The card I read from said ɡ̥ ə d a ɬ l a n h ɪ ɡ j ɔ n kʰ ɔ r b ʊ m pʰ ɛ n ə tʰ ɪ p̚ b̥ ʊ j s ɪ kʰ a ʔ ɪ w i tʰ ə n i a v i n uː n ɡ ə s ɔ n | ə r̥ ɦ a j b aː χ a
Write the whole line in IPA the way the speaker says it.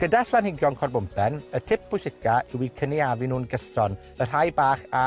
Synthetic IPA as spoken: ɡ̥ ə d a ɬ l a n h ɪ ɡ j ɔ n kʰ ɔ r b ʊ m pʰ ɛ n ə tʰ ɪ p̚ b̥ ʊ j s ɪ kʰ a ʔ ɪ w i kʰ ə n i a v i n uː n ɡ ə s ɔ n | ə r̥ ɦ a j b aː χ a